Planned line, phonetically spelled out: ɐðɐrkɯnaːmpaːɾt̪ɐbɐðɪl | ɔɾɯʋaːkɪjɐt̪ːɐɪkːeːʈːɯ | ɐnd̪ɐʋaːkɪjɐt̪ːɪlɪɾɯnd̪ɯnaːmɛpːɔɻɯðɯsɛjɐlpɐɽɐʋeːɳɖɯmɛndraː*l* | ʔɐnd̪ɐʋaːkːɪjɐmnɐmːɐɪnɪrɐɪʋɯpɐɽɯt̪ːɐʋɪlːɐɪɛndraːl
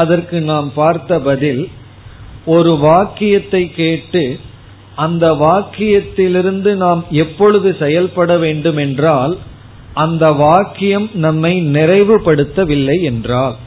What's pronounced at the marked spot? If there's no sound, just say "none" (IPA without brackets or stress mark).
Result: l